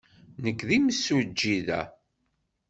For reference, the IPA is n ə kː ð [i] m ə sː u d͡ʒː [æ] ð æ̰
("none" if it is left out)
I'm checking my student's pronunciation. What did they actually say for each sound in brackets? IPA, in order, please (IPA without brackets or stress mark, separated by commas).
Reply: i, i